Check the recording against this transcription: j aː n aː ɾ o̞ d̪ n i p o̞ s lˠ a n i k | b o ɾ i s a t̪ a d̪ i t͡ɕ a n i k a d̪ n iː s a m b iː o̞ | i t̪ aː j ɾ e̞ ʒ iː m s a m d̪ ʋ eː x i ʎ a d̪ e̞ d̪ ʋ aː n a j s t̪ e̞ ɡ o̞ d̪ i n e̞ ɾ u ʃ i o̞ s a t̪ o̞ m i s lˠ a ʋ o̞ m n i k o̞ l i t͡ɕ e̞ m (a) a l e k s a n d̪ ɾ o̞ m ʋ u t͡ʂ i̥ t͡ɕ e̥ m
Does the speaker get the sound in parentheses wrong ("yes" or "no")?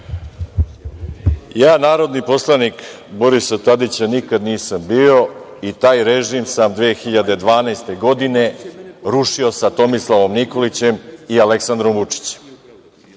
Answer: yes